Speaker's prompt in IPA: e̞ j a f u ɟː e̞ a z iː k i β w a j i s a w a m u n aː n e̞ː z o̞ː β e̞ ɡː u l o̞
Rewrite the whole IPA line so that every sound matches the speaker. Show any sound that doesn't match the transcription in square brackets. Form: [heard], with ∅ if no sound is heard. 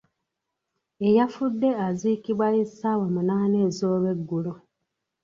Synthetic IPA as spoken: e̞ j a f u [dː] e̞ a z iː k i β w a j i s a w a m u n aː n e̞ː z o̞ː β e̞ ɡː u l o̞